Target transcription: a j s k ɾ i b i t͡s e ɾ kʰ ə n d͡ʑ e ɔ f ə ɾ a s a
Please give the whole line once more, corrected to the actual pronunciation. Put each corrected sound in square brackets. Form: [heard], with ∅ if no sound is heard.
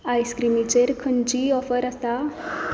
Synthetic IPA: a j s k ɾ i [m] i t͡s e ɾ kʰ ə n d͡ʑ [i] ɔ f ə ɾ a s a